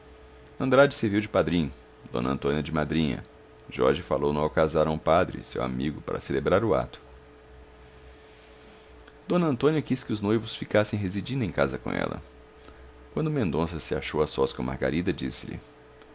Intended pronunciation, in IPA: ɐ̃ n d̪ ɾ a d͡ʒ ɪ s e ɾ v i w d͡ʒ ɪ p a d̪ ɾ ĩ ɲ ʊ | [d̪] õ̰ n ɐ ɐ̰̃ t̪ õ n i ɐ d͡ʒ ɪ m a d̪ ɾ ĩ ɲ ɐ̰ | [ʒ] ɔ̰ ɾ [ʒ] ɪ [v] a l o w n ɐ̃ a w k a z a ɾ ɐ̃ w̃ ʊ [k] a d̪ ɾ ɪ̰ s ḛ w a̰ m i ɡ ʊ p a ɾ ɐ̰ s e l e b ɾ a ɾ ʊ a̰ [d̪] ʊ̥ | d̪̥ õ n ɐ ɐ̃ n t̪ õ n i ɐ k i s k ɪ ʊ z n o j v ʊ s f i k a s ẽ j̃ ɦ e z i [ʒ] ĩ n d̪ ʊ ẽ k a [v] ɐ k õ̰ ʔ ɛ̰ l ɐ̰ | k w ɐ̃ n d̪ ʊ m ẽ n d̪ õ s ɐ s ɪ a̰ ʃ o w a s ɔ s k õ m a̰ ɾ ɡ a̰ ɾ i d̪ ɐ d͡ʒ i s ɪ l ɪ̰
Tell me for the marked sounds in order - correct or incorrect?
correct, correct, correct, incorrect, incorrect, incorrect, incorrect, incorrect

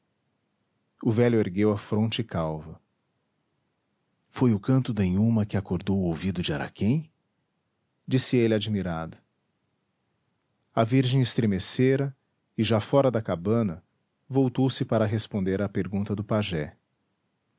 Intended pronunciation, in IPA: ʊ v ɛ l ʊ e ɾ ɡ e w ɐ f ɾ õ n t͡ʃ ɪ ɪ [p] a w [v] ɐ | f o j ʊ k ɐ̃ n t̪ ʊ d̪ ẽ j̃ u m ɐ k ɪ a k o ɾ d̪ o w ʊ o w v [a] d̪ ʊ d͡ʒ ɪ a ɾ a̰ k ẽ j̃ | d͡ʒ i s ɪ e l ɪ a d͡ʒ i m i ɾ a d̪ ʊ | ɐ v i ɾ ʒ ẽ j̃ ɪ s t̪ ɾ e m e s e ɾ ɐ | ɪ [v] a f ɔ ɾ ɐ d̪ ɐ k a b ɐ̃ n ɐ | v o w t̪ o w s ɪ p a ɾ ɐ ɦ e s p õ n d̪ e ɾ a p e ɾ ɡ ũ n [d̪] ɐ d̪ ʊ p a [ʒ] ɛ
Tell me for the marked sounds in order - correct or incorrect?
incorrect, correct, incorrect, incorrect, incorrect, correct

